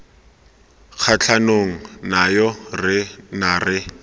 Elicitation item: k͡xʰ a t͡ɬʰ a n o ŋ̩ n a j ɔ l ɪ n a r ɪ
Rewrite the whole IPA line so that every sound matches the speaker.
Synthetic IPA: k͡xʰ a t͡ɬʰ a n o ŋ̩ n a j ɔ r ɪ n a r ɪ